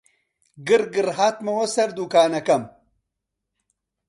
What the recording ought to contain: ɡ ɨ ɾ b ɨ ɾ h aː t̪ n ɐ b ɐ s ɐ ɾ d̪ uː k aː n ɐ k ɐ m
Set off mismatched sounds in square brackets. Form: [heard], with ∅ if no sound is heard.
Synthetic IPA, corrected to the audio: ɡ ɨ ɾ [ɡ] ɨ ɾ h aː t̪ [m] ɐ [w] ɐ s ɐ ɾ d̪ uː k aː n ɐ k ɐ m